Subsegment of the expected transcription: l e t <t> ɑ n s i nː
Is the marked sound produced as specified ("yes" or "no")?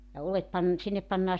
no